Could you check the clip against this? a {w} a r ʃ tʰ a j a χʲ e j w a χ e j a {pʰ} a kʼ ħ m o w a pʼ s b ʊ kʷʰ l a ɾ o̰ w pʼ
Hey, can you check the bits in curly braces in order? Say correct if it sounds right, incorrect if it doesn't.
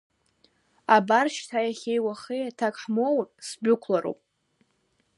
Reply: incorrect, incorrect

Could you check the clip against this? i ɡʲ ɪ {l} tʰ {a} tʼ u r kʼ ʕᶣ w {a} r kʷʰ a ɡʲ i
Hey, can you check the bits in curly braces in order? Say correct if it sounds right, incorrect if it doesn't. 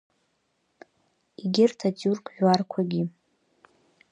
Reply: incorrect, correct, correct

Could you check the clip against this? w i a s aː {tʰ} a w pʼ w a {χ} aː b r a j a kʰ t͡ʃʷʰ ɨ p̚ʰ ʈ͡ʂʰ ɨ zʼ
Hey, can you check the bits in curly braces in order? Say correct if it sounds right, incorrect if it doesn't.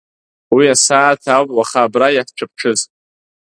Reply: correct, correct

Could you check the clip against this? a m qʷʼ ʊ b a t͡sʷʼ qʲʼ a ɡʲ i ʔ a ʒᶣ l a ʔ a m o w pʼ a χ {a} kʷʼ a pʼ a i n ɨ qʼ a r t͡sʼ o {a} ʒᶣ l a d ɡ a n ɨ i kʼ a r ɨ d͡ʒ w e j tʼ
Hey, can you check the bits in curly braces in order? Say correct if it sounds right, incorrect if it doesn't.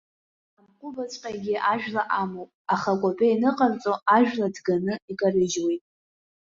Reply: correct, correct

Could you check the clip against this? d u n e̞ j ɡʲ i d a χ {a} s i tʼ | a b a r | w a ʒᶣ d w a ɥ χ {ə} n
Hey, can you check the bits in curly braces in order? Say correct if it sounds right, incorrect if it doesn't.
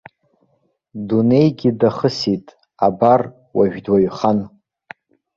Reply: incorrect, incorrect

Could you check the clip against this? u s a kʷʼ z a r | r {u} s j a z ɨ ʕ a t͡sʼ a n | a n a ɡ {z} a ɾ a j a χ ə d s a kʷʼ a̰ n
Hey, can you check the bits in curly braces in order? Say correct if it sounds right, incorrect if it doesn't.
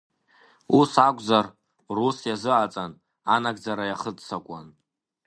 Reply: correct, incorrect

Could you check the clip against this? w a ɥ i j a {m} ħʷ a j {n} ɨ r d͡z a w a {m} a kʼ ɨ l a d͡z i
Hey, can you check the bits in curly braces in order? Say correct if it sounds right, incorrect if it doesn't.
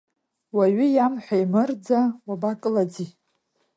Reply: correct, incorrect, incorrect

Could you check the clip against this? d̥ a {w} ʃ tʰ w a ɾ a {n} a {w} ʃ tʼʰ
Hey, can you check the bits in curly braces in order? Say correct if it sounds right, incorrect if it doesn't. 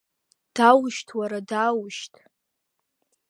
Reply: correct, incorrect, correct

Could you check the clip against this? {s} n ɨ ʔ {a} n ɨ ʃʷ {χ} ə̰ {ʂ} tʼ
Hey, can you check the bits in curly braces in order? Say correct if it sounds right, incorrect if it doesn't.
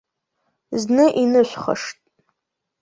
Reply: incorrect, incorrect, correct, correct

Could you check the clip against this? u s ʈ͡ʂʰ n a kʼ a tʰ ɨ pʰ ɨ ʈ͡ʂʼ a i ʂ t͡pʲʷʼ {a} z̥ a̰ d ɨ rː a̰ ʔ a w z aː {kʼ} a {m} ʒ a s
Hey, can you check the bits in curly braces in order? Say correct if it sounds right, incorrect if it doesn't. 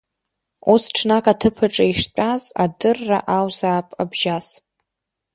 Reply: correct, incorrect, incorrect

